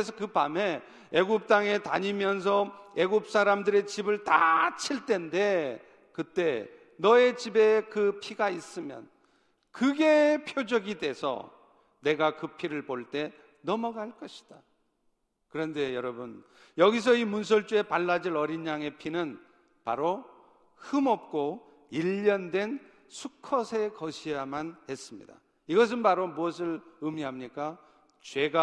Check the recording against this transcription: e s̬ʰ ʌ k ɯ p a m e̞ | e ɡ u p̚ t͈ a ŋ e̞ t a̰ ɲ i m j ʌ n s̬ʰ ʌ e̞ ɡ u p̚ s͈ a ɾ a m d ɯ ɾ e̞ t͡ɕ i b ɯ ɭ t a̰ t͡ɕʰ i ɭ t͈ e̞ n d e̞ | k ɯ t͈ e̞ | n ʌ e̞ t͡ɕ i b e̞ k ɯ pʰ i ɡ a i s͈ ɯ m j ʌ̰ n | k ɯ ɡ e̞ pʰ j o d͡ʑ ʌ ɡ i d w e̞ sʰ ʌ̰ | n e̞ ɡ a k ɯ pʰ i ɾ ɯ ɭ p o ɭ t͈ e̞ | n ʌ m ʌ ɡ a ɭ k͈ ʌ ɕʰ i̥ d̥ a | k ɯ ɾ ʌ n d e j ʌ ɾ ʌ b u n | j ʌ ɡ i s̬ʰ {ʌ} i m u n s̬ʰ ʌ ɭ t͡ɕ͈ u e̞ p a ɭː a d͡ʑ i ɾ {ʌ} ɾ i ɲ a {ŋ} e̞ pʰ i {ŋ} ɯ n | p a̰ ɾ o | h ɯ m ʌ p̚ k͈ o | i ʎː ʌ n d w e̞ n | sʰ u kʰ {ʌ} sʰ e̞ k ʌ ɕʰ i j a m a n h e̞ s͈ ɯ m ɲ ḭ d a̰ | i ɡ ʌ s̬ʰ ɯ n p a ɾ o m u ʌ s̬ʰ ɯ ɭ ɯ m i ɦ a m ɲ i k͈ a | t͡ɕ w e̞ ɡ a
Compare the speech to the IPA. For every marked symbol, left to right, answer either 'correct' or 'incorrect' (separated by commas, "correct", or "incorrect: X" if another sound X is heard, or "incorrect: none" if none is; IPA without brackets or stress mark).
correct, correct, correct, incorrect: n, correct